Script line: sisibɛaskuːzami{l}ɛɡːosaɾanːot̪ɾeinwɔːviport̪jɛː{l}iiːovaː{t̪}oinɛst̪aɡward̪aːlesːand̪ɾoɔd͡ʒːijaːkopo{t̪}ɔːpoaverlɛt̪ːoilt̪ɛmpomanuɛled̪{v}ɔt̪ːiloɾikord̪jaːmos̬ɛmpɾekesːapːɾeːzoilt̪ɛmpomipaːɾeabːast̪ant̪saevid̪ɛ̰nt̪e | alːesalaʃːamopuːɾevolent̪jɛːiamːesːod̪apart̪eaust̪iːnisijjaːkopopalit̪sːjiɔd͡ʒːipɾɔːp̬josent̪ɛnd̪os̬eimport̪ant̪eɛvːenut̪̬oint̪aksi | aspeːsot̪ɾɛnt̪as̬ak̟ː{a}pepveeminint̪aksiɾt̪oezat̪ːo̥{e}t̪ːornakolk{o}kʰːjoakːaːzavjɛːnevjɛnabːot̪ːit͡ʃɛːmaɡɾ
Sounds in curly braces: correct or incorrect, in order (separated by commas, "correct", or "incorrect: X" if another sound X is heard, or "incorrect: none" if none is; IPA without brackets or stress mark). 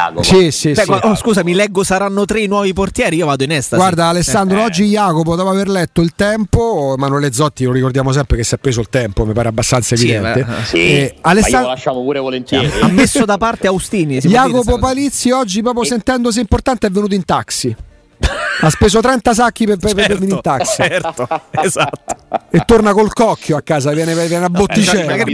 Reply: correct, incorrect: ɾ, incorrect: d̪, incorrect: d̪, incorrect: z, incorrect: i, correct, incorrect: ɔ